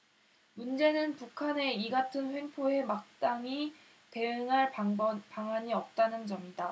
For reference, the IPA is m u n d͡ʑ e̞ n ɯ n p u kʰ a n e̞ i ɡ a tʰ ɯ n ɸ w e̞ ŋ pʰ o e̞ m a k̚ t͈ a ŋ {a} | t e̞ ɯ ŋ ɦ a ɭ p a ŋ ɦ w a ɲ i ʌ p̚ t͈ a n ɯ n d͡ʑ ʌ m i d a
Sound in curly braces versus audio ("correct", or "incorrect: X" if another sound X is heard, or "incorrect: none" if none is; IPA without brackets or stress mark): incorrect: i